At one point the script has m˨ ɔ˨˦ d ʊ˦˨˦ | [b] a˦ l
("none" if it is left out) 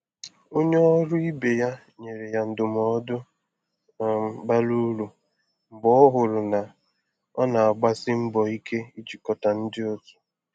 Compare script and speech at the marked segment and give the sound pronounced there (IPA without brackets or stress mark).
b